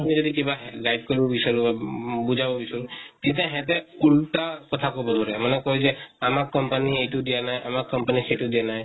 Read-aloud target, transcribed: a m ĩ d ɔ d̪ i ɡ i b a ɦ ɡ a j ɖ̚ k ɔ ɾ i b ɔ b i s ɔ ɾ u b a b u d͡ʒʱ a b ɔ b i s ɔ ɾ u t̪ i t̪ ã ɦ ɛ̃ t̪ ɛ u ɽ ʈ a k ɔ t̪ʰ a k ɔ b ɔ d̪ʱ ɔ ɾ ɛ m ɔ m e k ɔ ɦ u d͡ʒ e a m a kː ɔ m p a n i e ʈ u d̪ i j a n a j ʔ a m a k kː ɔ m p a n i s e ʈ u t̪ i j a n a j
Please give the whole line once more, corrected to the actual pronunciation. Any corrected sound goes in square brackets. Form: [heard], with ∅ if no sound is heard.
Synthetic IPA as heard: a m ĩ [d͡ʒ] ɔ d̪ i [k] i b a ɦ ɡ a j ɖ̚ k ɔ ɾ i b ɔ b i s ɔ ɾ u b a b u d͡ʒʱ a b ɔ b i s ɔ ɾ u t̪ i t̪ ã ɦ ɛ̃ t̪ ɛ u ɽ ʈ a k ɔ t̪ʰ a k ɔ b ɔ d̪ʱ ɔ ɾ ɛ m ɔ [n] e k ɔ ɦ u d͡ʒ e a m a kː ɔ m p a n i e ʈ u d̪ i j a n a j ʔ a m a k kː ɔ m p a n i s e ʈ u [d̪] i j a n a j